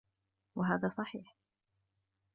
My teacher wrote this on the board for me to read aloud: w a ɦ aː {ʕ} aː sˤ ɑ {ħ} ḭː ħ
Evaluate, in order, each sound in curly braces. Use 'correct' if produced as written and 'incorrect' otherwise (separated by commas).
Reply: incorrect, correct